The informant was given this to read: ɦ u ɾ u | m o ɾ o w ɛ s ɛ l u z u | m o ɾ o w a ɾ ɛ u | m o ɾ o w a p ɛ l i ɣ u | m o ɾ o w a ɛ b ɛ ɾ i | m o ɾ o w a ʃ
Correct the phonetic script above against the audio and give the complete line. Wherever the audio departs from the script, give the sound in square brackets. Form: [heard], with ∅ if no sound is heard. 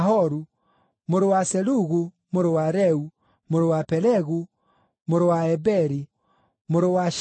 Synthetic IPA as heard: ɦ [ɔ] ɾ u | m o ɾ o w [a] s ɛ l u [ɣ] u | m o ɾ o w a ɾ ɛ u | m o ɾ o w a p ɛ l [ɛ] ɣ u | m o ɾ o w a ɛ b ɛ ɾ i | m o ɾ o w a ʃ